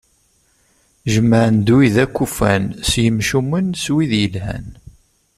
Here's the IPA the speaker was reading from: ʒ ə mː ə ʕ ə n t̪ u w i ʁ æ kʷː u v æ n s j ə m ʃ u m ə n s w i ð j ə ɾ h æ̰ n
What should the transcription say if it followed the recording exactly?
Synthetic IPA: ʒ ə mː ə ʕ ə n d̪ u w i ð æ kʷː u f æ n s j ə m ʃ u m ə n s w i ð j ə l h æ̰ n

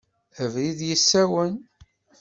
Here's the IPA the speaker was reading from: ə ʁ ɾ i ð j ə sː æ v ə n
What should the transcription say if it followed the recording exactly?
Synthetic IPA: ə v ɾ i ð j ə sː æ w ə n

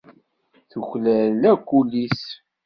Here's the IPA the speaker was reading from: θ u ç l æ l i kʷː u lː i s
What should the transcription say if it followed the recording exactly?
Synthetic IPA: θ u ç l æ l æ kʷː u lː i s

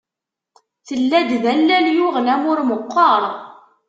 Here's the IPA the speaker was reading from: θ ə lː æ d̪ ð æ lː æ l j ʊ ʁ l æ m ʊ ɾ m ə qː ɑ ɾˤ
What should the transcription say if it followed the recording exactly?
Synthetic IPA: θ ə lː æ d̪ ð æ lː æ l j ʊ ʁ l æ m ʊ ɾ m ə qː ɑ ɾˤ

